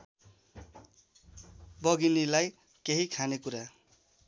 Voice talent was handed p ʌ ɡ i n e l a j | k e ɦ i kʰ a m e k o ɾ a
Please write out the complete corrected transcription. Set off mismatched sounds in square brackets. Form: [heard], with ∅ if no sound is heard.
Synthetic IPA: [b] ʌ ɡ i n [i] l a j | k e ɦ i kʰ a [n] e k [u] ɾ a

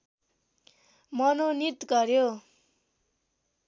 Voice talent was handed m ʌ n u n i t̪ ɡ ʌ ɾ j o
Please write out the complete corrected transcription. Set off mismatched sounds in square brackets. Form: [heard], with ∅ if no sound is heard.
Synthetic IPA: m ʌ n [o] n i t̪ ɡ ʌ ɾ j o

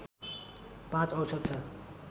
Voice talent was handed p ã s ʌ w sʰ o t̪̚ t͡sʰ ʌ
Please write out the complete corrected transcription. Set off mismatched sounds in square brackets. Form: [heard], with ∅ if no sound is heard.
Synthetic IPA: p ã [t͡s] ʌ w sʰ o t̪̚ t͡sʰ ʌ

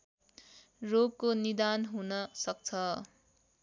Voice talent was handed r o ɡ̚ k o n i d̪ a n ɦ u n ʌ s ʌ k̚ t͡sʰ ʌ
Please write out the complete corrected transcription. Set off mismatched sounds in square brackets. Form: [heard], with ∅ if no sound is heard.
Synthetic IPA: r o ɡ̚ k o n i d̪ a n ɦ u n ʌ s ʌ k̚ t͡sʰ ʌ

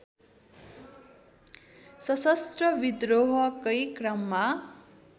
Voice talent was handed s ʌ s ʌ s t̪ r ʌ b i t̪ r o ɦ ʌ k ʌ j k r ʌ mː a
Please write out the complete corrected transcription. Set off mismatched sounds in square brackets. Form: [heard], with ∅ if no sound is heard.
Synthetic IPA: s ʌ s ʌ s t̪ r ʌ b i [d̪] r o ɦ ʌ k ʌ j k r ʌ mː a

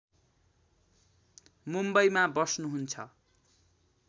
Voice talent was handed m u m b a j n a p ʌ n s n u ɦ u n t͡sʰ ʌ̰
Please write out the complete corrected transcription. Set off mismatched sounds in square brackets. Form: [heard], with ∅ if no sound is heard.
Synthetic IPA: m u m b [ʌ] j [m] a [b] ʌ [∅] s n u ɦ u n t͡sʰ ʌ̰

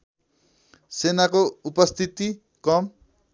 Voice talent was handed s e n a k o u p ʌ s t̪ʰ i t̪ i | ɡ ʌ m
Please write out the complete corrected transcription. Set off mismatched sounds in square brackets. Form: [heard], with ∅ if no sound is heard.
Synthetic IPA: s e n a k o u p ʌ s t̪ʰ i t̪ i | [k] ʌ m

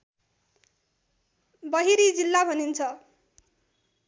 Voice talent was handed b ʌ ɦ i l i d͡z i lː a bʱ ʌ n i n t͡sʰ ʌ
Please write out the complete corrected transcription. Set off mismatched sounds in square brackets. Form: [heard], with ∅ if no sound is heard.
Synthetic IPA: b ʌ ɦ i [ɾ] i d͡z i lː a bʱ ʌ n i n t͡sʰ ʌ

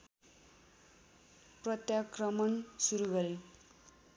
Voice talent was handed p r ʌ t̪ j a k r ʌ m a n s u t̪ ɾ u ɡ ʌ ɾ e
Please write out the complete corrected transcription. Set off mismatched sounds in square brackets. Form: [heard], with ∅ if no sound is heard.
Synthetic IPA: p r ʌ t̪ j a k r ʌ m [ʌ] n s u [∅] ɾ u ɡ ʌ ɾ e

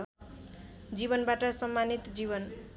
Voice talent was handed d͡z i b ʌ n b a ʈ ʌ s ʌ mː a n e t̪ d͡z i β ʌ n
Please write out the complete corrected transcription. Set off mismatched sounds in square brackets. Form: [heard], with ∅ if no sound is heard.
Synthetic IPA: d͡z i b ʌ n b a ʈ ʌ s ʌ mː a n [i] t̪ d͡z i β ʌ n

